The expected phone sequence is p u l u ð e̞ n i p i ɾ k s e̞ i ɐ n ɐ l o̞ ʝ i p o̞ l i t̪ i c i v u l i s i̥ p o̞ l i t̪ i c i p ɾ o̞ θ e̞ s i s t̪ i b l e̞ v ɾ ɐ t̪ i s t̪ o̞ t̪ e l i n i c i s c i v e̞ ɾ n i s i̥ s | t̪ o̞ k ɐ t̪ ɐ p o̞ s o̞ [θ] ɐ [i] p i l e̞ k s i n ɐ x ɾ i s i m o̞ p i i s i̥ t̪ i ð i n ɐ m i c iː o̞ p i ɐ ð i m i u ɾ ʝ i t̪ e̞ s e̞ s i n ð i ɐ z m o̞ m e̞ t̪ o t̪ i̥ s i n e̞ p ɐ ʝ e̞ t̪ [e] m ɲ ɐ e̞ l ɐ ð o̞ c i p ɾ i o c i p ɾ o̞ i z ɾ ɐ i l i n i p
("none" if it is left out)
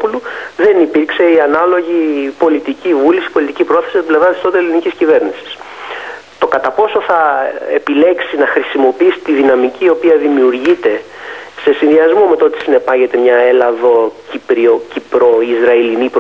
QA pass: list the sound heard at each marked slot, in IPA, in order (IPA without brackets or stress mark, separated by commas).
θ, e, e